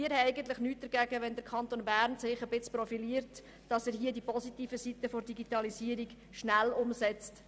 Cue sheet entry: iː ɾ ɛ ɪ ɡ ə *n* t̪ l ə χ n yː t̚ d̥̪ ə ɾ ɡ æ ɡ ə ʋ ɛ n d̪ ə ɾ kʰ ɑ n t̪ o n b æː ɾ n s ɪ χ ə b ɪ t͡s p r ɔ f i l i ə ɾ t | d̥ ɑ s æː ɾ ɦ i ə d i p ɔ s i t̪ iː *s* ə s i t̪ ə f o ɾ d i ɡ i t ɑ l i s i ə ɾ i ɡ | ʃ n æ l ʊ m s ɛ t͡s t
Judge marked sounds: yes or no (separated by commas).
yes, no